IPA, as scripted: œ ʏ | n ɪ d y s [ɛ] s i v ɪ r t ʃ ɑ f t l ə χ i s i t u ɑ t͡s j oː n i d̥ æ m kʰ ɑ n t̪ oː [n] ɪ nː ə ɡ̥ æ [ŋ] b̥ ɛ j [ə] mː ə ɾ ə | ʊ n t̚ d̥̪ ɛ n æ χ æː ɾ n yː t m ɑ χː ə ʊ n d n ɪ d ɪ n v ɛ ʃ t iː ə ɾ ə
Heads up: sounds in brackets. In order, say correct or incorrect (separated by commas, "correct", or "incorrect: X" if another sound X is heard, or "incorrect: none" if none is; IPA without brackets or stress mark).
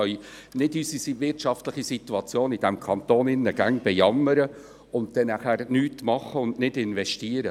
incorrect: i, correct, correct, incorrect: ɑ